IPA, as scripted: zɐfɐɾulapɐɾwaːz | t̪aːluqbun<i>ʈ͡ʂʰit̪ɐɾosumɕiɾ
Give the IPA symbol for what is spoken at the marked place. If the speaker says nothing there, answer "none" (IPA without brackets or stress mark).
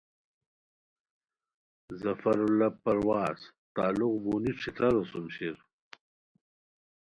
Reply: i